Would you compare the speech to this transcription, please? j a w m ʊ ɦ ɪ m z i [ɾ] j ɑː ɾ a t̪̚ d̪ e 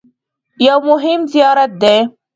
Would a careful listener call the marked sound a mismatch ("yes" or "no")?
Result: yes